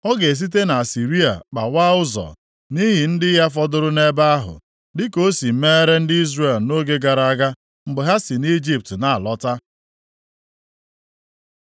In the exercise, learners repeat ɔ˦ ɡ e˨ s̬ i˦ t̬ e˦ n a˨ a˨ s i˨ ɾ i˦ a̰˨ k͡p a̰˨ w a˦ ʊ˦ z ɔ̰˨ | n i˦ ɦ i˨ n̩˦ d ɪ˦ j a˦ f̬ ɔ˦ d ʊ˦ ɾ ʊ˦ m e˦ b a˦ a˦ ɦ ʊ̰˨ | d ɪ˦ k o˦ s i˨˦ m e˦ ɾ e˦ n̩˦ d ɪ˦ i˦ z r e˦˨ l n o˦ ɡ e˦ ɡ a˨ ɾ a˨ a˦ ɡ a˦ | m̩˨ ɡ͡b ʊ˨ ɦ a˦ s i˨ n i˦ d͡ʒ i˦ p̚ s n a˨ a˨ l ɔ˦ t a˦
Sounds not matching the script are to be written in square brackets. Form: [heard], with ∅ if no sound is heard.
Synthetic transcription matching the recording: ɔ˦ ɡ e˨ s̬ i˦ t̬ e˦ n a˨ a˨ s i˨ ɾ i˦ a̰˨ k͡p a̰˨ w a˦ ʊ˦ z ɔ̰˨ | n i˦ ɦ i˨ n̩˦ d ɪ˦ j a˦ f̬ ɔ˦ d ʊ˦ ɾ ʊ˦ [n] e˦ b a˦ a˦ ɦ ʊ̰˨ | d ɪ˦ k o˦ s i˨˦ m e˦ ɾ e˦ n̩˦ d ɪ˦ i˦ z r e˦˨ l n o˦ ɡ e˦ ɡ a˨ ɾ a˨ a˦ ɡ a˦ | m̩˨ ɡ͡b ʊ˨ ɦ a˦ s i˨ n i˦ d͡ʒ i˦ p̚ [t] n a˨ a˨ l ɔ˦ t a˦